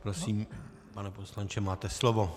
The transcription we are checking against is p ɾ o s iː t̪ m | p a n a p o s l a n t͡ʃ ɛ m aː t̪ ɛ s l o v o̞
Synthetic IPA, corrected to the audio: p ɾ o s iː m | p a n ɛ p o s l a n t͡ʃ ɛ m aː t̪ ɛ s l o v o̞